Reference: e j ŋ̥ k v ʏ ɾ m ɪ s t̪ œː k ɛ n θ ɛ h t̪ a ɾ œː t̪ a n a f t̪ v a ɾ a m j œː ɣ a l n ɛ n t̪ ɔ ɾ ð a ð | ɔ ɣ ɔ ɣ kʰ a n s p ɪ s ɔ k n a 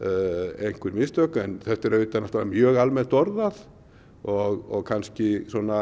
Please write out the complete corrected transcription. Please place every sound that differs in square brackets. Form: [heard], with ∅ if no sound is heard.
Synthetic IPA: e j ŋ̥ k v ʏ ɾ m ɪ s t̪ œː k ɛ n θ ɛ h t̪ [ɛ] ɾ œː t̪ a n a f t̪ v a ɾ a m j œː ɣ a l [m] ɛ n t̪ ɔ ɾ ð a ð | ɔ ɣ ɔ ɣ kʰ a n s [c] ɪ s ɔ [∅] n a